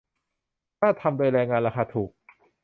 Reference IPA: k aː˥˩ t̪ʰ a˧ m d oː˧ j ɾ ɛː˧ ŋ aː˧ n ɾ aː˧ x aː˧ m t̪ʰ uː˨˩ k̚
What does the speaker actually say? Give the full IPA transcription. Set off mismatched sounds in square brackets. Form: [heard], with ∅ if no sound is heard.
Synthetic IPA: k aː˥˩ t̪ʰ a˧ m d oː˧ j ɾ ɛː˧ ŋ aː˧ n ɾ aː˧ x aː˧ [∅] t̪ʰ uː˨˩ k̚